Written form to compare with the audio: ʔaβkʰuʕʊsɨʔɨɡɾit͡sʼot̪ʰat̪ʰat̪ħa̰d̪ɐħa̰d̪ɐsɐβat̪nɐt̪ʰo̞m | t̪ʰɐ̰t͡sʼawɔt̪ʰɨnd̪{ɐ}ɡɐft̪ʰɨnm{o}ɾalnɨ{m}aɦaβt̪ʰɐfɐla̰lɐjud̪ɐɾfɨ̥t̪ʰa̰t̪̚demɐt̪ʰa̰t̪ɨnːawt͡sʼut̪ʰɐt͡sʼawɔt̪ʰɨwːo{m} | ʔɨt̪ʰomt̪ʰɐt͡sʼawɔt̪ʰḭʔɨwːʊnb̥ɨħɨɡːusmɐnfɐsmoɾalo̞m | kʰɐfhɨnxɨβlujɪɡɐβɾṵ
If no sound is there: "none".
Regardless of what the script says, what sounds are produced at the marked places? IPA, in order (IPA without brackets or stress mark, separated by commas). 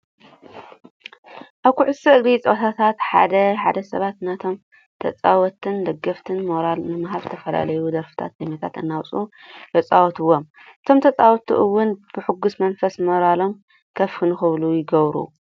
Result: ɐ, o, m, m